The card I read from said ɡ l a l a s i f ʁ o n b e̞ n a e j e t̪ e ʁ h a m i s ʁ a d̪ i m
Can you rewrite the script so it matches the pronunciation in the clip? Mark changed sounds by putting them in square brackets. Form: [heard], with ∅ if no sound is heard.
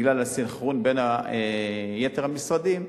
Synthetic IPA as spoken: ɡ l a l a s i [χ] ʁ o n b e̞ n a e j e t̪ e ʁ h a m i s ʁ a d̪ i m